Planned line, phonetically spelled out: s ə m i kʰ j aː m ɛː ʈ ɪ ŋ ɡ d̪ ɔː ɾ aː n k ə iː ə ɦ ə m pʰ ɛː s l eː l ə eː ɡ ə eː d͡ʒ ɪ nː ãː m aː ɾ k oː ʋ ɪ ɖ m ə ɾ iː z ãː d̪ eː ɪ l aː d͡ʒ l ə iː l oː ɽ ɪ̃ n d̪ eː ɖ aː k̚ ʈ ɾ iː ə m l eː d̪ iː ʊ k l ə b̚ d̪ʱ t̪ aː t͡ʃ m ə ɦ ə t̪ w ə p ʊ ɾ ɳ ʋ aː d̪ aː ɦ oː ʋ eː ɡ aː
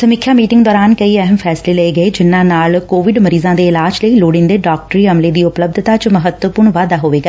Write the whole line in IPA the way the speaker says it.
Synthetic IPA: s ə m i kʰ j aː m iː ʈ ɪ ŋ ɡ d̪ ɔː ɾ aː n k ə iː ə ɦ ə m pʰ ɛː s l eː l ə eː ɡ ə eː d͡ʒ ɪ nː ãː n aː l k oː ʋ ɪ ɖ m ə ɾ iː z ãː d̪ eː ɪ l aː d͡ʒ l ə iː l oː ɽ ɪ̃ n d̪ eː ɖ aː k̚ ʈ ɾ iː ə m l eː d̪ iː ʊ p l ə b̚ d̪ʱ t̪ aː t͡ʃ m ə ɦ ə t̪ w ə p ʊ ɾ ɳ ʋ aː d̪ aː ɦ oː ʋ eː ɡ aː